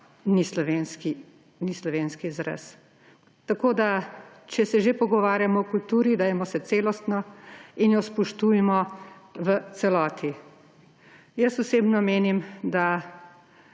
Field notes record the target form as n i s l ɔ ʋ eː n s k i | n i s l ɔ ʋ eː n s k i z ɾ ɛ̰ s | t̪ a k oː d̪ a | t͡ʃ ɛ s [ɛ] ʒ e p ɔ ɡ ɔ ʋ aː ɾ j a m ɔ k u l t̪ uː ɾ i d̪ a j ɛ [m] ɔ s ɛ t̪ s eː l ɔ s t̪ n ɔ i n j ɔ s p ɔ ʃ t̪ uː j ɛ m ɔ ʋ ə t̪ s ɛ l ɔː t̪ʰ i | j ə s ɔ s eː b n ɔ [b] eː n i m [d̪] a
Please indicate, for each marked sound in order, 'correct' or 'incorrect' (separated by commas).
correct, correct, incorrect, correct